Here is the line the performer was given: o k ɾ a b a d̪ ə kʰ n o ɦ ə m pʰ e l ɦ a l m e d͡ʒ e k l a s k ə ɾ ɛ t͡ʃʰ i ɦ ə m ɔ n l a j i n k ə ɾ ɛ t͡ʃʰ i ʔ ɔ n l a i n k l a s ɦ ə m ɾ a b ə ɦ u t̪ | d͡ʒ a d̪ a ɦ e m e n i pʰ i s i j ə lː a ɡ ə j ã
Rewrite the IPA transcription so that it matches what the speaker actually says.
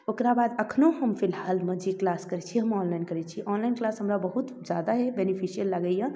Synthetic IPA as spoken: o k ɾ a b a d̪ ə kʰ n o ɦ ə m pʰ i l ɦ a l m e d͡ʒ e k l a s k ə ɾ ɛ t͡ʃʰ i ɦ ə m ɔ n l a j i n k ə ɾ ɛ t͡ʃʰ i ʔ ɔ n l a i n k l a s ɦ ə m ɾ a b ə ɦ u t̪ | d͡ʒ a d̪ a ɦ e b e n i pʰ i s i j ə lː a ɡ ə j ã